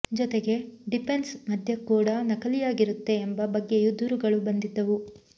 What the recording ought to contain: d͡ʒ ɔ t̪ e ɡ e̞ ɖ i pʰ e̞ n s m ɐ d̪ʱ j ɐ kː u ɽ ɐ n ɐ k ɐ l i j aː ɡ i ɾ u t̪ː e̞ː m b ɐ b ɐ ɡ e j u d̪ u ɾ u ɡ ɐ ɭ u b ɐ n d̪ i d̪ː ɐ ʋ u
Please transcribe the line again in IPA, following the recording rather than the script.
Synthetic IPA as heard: d͡ʒ ɔ t̪ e ɡ e̞ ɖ i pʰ e̞ n s m ɐ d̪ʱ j ɐ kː uː ɽ ɐ n ɐ k ɐ l i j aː ɡ i ɾ u t̪ː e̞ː m b ɐ b ɐ ɡː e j u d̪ u ɾ u ɡ ɐ ɭ u b ɐ n d̪ i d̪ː ɐ ʋ u

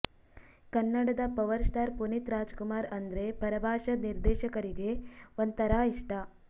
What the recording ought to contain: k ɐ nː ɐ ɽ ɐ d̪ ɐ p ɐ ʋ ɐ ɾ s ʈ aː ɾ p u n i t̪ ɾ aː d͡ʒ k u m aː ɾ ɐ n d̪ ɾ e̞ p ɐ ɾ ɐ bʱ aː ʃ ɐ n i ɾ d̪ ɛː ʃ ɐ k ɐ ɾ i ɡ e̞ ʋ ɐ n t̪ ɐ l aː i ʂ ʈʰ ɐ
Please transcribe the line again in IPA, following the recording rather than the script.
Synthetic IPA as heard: k ɐ nː ɐ ɽ ɐ d̪ ɐ p ɐ ʋ ɐ ɾ s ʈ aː ɾ p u n i t̪ ɾ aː d͡ʒ k u m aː ɾ ɐ n d̪ ɾ e̞ p ɐ ɾ ɐ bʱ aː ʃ ɐ n i ɾ d̪ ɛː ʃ ɐ k ɐ ɾ i ɡ e̞ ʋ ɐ n t̪ ɐ ɾ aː i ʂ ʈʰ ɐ

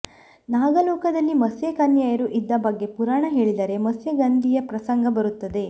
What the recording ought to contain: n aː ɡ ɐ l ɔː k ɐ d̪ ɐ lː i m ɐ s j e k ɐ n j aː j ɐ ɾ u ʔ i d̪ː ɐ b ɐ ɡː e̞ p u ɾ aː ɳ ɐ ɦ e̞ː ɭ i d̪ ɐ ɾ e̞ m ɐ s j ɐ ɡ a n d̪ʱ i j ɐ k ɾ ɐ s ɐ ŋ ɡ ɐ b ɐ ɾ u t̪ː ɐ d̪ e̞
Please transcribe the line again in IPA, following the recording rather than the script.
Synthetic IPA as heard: n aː ɡ ɐ l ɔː k ɐ d̪ ɐ lː i m ɐ s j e k ɐ n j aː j ɐ ɾ u ʔ i d̪ː ɐ b ɐ ɡː e̞ p u ɾ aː ɳ ɐ ɦ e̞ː ɭ i d̪ ɐ ɾ e̞ m ɐ s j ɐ ɡ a n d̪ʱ i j ɐ p ɾ ɐ s ɐ ŋ ɡ ɐ b ɐ ɾ u t̪ː ɐ d̪ e̞

